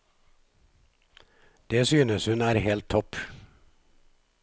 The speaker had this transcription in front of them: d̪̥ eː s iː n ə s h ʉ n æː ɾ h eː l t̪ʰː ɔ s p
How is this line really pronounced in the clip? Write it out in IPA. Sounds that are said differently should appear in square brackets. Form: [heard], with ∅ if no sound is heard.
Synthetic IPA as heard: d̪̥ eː s [yː] n ə s h ʉ n æː ɾ h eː l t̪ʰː ɔ [∅] p

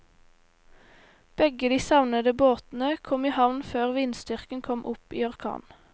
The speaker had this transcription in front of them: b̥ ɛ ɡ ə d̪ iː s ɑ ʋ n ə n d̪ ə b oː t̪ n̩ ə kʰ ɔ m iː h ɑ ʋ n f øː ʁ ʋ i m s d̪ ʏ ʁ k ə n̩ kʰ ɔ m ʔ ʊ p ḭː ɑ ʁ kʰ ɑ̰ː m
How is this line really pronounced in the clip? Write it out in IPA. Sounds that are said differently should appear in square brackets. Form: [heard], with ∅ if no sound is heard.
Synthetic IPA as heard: b̥ ɛ ɡ ə d̪ iː s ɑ ʋ n ə [∅] d̪ ə b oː t̪ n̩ ə kʰ ɔ m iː h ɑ ʋ n f øː ʁ ʋ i [n] s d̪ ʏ ʁ k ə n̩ kʰ ɔ m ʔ ʊ p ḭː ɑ ʁ kʰ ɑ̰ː [n]

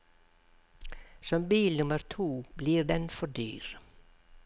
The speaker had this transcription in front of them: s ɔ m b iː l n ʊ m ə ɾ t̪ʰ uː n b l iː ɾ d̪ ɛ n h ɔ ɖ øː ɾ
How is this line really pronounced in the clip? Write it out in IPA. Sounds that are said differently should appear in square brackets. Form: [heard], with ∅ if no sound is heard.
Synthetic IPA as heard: s ɔ m b iː l n ʊ m ə ɾ t̪ʰ uː [∅] b l iː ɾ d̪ ɛ n [f] ɔ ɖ [yː] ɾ

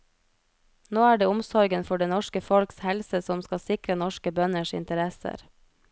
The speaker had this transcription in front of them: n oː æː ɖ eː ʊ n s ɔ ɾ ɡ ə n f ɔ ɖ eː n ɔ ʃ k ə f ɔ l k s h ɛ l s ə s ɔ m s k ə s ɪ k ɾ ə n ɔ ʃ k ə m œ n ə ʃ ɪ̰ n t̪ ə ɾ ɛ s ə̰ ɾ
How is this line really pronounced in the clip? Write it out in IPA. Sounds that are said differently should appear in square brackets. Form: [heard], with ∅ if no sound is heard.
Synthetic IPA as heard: n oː æː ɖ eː ʊ [m] s ɔ ɾ ɡ ə n f ɔ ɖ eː n ɔ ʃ k ə f ɔ l k s h ɛ l s ə s ɔ m s k [ɑ] s ɪ k ɾ ə n ɔ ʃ k ə [b] œ n ə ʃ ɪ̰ n t̪ ə ɾ ɛ s ə̰ ɾ

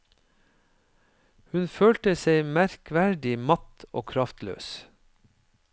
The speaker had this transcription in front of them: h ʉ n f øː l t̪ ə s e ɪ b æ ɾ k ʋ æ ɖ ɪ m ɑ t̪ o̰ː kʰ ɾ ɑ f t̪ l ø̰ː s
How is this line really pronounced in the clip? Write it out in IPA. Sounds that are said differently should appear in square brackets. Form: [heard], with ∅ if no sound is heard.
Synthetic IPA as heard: h ʉ n f øː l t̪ ə s e ɪ [m] æ ɾ k ʋ æ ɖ ɪ m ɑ t̪ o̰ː kʰ ɾ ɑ f t̪ l ø̰ː s

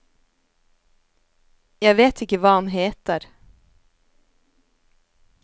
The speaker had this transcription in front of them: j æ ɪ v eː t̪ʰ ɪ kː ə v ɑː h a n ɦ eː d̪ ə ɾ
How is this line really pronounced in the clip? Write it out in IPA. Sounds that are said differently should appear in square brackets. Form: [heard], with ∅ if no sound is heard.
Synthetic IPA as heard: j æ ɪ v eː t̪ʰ ɪ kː ə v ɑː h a n ɦ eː [t̪] ə ɾ

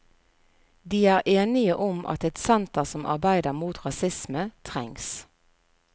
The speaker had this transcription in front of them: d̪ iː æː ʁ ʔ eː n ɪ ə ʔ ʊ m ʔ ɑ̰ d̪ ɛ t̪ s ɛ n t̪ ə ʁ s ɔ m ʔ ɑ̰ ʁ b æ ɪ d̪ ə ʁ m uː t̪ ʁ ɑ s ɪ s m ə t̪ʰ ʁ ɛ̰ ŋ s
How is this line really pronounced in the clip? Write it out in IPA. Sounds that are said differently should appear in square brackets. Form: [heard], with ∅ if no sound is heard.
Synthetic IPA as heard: d̪ iː æː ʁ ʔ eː n ɪ ə ʔ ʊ m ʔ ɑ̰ [t̪] ɛ t̪ s ɛ n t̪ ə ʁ s ɔ m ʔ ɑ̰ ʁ b æ ɪ d̪ ə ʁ m uː t̪ ʁ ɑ s ɪ s m ə t̪ʰ ʁ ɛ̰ ŋ s

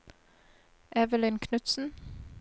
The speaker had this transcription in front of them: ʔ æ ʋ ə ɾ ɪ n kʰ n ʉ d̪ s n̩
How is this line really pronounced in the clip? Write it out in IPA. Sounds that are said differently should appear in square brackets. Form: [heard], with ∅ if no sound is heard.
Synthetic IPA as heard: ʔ [ɛ] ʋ ə [l] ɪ n kʰ n ʉ [t̪] s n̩

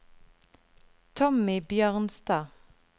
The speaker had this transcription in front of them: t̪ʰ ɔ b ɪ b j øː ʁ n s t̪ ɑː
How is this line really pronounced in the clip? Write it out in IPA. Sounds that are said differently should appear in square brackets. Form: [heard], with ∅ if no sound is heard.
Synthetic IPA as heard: t̪ʰ ɔ [m] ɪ b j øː ʁ n s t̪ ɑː

